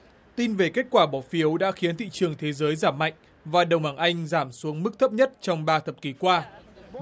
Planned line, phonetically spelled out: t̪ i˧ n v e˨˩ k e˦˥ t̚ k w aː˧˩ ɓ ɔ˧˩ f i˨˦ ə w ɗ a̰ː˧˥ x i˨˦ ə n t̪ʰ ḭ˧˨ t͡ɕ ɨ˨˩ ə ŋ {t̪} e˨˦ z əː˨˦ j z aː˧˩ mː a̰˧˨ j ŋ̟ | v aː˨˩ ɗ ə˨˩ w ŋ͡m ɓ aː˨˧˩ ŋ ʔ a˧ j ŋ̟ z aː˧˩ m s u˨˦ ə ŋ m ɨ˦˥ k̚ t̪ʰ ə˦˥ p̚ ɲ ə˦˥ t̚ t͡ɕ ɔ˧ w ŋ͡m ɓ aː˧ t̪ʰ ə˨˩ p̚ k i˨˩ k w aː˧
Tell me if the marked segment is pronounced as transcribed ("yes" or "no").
no